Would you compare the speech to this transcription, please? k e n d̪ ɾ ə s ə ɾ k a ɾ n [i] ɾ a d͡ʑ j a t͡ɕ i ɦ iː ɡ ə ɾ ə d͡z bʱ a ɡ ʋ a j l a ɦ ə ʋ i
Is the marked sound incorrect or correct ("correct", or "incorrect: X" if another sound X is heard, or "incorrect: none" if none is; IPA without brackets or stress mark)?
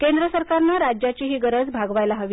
incorrect: a